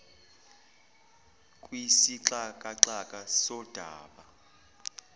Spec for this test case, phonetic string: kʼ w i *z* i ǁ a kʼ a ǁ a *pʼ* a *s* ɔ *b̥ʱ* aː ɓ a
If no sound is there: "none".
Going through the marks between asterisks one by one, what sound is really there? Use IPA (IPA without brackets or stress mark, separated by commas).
s, kʼ, s, d̥ʱ